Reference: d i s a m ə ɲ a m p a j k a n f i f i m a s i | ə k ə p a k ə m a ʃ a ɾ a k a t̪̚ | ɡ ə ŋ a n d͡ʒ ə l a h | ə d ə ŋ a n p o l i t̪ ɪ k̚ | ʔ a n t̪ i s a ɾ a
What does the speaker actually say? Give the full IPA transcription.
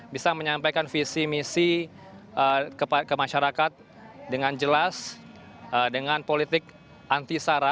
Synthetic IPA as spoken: b i s a m ə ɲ a m p a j k a n f i s i m i s i | ə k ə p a k ə m a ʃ a ɾ a k a t̪̚ | d ə ŋ a n d͡ʒ ə l a s | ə d ə ŋ a n p o l i t̪ ɪ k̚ | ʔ a n t̪ i s a ɾ a